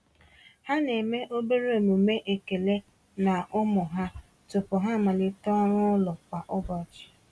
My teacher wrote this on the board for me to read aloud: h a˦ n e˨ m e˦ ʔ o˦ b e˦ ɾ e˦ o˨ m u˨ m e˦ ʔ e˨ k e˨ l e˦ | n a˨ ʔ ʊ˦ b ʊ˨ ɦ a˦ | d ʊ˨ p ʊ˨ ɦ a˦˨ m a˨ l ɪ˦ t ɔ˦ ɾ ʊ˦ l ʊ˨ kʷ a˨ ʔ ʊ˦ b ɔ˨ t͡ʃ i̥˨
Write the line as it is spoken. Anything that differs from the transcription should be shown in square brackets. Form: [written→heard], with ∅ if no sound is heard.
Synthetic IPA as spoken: h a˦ n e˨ m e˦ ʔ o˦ b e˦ ɾ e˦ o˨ m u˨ m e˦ ʔ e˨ k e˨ l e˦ | n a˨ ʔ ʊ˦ [b→m] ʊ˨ ɦ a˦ | [d→t] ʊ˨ p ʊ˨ ɦ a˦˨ m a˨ l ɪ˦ t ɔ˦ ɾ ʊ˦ l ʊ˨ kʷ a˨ ʔ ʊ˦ b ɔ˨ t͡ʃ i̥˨